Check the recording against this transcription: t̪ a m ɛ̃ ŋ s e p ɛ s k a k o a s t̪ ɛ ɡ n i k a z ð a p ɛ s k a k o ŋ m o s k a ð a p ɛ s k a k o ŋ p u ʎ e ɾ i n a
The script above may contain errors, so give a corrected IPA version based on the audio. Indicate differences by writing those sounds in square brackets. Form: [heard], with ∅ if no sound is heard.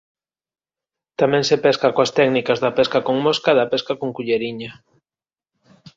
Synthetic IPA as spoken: t̪ a m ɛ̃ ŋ s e p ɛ s k a k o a s t̪ ɛ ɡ n i k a z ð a p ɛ s k a k o ŋ m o s k a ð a p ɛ s k a k o ŋ [k] u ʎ e ɾ i [ɲ] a